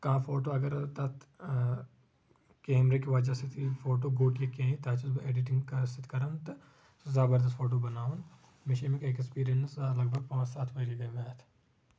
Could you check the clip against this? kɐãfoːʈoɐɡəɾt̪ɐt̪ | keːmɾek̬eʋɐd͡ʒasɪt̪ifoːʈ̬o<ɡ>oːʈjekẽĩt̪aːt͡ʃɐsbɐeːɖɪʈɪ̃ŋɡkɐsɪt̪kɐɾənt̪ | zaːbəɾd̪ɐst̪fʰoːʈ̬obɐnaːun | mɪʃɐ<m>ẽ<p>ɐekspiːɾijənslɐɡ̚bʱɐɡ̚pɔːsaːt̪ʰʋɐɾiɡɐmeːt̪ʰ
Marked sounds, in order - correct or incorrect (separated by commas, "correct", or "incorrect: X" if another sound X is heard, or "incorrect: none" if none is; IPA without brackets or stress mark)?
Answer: correct, correct, incorrect: k